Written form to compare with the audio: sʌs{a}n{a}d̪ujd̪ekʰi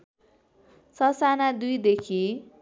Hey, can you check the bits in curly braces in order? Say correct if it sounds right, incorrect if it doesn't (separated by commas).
correct, correct